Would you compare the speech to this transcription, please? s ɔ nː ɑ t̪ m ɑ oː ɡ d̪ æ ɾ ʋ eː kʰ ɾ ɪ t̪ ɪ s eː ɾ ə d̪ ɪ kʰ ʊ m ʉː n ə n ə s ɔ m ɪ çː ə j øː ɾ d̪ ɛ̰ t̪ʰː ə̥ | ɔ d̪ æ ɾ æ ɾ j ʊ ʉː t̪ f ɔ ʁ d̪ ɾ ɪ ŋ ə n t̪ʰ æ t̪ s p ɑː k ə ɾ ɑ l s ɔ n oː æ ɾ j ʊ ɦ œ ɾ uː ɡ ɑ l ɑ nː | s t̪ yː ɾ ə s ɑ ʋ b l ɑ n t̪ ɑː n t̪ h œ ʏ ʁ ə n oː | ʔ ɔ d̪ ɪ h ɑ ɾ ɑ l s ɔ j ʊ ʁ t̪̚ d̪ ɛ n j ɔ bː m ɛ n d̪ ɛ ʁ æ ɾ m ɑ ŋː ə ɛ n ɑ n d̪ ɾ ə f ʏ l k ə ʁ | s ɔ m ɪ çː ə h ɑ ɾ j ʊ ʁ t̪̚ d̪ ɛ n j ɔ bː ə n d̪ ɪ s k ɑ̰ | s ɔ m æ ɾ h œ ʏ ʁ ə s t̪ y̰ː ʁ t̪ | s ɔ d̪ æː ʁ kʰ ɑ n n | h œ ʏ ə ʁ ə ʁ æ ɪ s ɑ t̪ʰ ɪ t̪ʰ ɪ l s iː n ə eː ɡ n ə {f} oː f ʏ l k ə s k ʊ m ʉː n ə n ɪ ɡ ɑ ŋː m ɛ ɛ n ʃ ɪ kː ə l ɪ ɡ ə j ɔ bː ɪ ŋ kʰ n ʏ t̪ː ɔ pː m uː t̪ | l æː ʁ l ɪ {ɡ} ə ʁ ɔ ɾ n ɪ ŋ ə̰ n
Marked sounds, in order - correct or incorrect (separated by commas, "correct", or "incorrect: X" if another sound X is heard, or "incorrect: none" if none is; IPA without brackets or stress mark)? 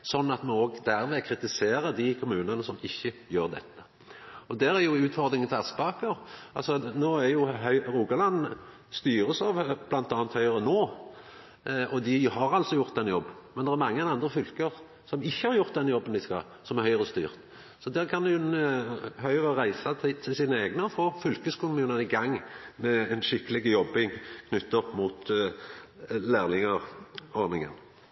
correct, incorrect: ŋ